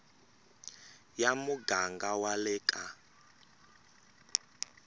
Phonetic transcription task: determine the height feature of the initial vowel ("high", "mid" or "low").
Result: low